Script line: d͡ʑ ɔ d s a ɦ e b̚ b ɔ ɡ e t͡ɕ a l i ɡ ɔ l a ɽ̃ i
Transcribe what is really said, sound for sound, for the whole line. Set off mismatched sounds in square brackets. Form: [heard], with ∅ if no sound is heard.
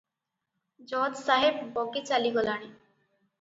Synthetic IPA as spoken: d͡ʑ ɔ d s a ɦ e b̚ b ɔ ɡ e t͡ɕ a l i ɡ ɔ l a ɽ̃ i